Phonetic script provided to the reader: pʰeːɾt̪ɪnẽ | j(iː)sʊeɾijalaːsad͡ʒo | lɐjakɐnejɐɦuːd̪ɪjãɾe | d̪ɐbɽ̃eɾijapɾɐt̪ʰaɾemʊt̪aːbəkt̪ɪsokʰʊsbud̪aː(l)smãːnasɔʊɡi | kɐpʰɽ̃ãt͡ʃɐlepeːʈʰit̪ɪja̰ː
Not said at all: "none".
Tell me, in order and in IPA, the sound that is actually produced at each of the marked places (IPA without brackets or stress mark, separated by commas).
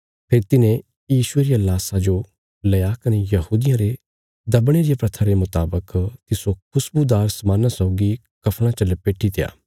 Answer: iː, ɾ